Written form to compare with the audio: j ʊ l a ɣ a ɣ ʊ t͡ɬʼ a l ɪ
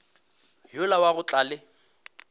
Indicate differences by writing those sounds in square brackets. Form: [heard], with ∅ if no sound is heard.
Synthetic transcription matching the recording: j ʊ l a [w] a ɣ ʊ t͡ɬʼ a l ɪ